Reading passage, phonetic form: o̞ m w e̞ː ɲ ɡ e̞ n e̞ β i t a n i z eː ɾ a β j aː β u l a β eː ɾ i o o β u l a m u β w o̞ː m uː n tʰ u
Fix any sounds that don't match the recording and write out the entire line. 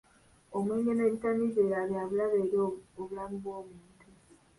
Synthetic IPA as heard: o̞ m w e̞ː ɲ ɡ e̞ n e̞ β i t a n i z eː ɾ a β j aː β u l a β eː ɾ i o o β u l a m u β w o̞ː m uː n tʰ u